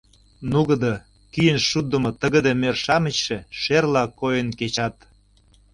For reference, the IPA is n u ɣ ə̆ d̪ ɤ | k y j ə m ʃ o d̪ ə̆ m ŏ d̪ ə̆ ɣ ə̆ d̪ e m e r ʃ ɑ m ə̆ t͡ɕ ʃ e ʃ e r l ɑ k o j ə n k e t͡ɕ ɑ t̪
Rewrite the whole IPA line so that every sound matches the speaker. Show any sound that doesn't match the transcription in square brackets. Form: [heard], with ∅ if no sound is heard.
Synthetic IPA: n u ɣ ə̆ d̪ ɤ | k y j ə [n] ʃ [u] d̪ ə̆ m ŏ [t̪] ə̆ ɣ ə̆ d̪ e m e r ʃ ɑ m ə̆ t͡ɕ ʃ e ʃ e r l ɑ k o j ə n k e t͡ɕ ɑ t̪